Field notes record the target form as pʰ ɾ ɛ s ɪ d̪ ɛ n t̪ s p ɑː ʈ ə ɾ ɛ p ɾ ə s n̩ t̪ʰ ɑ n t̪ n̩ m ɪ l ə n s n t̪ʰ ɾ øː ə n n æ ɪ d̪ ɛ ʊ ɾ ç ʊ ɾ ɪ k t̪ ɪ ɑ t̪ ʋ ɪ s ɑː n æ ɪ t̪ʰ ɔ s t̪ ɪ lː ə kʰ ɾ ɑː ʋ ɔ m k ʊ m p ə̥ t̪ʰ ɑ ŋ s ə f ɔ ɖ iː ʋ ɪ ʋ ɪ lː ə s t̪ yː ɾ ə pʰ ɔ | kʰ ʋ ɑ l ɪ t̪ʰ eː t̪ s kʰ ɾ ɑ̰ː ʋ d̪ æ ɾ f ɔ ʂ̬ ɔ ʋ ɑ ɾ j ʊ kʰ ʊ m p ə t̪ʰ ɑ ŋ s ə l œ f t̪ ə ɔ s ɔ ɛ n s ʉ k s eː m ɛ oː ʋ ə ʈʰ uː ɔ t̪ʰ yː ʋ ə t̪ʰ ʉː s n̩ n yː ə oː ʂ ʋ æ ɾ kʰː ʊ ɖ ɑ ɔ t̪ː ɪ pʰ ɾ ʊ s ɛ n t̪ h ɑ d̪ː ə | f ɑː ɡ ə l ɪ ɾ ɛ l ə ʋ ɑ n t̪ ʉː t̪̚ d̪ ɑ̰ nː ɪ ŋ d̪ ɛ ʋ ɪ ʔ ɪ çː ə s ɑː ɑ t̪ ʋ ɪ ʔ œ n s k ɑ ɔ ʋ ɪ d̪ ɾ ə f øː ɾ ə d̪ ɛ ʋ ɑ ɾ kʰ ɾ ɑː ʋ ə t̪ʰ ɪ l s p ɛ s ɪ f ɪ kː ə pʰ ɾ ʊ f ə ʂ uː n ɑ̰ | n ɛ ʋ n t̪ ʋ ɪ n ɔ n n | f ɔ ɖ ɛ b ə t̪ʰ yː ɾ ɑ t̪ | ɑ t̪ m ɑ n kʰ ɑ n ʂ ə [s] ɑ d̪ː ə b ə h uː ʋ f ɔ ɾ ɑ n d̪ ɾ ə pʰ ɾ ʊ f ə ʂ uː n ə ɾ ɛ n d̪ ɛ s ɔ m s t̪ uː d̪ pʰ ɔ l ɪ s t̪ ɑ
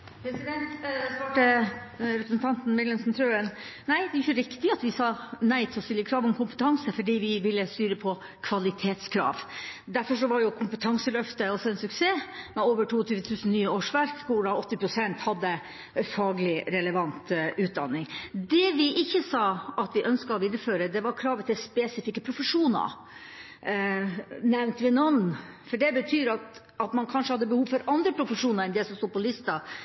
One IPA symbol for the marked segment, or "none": h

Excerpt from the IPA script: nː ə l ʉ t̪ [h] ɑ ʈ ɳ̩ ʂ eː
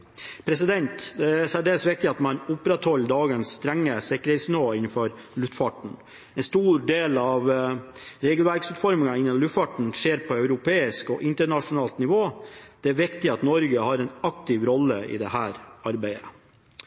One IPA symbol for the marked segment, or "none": f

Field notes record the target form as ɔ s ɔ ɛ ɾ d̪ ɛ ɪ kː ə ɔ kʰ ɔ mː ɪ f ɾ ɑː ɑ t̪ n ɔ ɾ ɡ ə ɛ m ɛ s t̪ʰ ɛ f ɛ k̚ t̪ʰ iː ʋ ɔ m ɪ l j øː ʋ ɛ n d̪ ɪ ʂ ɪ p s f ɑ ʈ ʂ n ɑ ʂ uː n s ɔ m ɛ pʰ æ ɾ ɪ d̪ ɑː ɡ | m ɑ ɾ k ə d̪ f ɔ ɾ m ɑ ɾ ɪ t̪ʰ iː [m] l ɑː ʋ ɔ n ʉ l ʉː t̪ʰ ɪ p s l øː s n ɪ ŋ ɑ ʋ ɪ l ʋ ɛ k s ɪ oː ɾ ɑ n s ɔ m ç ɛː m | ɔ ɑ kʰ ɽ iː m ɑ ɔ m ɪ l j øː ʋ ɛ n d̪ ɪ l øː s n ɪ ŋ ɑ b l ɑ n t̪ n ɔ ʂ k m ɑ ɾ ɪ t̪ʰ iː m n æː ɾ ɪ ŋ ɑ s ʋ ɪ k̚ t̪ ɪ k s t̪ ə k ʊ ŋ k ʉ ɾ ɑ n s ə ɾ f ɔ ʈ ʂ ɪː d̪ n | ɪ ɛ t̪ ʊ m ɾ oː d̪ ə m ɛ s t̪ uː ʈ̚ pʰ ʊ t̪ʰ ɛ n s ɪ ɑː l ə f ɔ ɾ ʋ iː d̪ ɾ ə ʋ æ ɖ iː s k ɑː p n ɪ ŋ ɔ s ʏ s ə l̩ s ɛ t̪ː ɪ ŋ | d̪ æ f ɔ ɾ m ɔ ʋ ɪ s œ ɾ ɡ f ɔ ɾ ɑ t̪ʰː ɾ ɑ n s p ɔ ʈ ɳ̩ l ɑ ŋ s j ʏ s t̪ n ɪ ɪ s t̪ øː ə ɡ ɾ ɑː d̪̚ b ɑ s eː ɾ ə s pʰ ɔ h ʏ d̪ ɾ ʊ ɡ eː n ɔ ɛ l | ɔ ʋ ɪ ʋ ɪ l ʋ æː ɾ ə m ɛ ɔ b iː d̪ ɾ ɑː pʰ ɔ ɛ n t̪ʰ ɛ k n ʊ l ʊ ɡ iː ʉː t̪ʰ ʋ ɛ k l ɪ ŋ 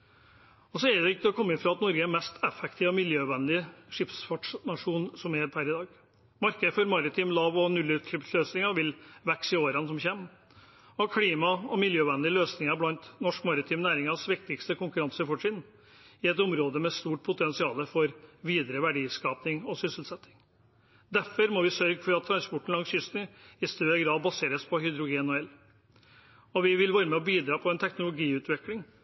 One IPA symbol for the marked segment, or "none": m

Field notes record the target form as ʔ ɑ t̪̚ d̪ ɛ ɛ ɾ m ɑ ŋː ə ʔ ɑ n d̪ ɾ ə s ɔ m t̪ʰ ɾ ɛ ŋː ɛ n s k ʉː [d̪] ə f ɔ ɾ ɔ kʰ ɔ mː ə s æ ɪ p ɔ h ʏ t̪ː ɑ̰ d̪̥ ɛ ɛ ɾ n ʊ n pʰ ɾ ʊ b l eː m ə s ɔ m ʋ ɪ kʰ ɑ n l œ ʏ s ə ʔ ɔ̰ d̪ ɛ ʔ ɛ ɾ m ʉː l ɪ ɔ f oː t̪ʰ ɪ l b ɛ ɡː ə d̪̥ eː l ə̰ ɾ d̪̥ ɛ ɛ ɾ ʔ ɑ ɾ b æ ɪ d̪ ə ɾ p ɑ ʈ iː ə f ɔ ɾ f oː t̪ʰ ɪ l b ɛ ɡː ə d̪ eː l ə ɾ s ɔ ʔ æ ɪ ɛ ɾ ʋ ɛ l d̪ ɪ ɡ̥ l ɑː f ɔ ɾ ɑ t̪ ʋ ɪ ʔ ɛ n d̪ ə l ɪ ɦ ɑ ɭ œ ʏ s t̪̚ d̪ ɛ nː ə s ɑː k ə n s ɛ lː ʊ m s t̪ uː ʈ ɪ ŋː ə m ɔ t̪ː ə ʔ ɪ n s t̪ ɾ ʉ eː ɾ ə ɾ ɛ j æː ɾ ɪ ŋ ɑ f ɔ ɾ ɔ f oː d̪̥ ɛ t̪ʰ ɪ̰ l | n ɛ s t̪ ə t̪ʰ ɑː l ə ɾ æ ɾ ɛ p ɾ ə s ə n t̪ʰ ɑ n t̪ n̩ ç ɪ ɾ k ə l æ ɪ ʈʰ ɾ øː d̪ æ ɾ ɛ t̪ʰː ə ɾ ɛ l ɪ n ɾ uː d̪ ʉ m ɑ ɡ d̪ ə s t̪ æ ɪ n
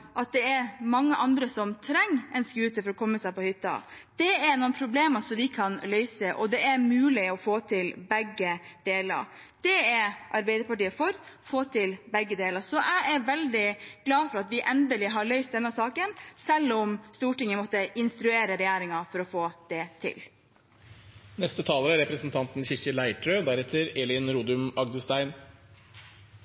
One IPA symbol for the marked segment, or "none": t̪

